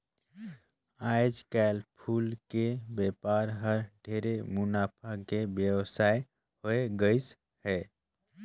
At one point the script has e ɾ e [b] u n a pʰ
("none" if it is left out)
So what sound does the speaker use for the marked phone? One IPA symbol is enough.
m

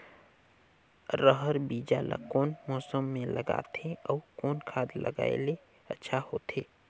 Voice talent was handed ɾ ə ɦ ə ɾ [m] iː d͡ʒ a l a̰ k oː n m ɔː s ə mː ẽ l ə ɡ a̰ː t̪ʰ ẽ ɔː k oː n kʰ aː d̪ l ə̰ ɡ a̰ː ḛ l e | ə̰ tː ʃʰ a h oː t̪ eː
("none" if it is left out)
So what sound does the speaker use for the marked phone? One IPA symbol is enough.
b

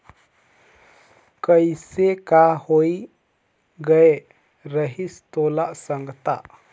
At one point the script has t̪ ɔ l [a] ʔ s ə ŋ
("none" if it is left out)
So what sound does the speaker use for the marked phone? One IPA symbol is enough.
a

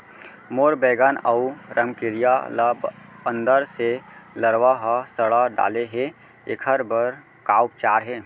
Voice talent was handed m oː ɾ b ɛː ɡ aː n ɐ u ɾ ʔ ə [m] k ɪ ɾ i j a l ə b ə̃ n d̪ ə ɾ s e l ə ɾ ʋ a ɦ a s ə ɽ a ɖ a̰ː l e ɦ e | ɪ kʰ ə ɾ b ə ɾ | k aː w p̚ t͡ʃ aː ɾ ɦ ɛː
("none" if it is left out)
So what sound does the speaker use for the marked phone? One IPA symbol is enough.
m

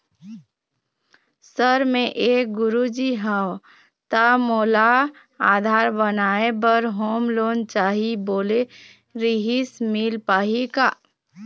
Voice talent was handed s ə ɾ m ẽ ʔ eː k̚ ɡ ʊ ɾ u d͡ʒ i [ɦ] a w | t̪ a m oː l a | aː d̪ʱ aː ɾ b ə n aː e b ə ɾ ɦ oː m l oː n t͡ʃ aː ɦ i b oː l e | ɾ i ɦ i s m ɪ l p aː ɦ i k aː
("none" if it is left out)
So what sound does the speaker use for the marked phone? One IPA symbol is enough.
ɦ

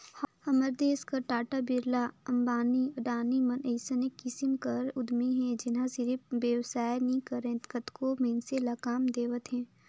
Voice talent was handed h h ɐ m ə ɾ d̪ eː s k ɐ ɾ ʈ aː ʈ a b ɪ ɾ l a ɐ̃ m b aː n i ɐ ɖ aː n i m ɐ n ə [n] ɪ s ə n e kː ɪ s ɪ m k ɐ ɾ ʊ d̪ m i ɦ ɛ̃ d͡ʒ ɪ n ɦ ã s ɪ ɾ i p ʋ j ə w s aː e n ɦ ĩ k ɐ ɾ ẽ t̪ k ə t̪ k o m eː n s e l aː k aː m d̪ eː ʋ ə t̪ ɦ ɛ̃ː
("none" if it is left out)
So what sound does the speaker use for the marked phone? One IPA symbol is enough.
none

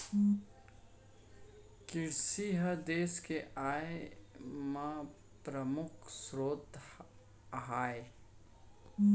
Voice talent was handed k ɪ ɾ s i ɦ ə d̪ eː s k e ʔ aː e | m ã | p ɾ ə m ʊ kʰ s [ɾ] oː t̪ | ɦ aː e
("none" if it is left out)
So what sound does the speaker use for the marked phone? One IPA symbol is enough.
ɾ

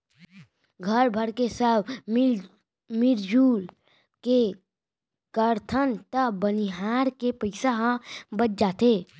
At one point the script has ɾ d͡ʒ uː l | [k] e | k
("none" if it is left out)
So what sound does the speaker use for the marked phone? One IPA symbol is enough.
k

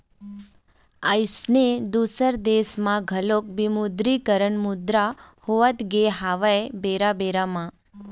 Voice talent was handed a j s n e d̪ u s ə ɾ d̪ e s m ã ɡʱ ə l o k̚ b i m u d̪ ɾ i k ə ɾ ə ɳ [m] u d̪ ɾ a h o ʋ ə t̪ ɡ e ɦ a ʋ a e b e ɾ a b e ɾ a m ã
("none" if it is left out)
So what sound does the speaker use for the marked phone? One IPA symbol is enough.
m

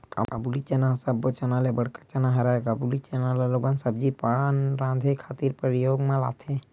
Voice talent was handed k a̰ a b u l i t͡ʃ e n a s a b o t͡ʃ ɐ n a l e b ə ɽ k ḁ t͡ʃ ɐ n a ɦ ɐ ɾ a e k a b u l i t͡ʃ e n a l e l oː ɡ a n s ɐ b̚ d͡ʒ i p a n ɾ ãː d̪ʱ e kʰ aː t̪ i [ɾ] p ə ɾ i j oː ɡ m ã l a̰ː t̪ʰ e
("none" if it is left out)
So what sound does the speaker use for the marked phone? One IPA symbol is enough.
ɾ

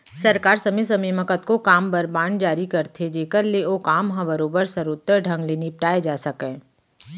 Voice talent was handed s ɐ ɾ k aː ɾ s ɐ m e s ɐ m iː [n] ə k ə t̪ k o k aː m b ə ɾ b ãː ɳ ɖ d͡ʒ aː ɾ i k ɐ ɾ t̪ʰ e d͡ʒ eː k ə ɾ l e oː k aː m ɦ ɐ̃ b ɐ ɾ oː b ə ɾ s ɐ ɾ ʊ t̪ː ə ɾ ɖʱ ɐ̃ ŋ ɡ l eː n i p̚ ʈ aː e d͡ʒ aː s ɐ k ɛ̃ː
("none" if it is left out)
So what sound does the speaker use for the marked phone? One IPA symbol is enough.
m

